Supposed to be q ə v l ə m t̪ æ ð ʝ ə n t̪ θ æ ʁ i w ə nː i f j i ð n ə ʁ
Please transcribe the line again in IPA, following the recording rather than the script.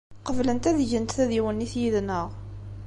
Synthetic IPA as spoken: q ə v l ə n t̪ æ ð ʝ ə n t̪ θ æ ð i w ə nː i θ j i ð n ə ʁ